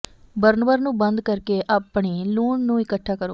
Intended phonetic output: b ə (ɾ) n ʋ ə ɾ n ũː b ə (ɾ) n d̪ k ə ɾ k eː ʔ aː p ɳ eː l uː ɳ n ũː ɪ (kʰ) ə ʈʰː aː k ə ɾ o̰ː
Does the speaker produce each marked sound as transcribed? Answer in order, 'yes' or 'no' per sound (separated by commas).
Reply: yes, no, no